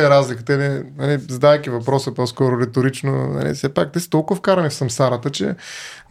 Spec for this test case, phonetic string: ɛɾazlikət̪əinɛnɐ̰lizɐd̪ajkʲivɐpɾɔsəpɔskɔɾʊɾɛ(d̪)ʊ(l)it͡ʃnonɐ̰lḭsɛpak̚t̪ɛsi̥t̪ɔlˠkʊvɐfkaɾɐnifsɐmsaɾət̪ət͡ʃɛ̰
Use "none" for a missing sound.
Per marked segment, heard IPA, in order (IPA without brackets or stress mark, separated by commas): t̪, ɾ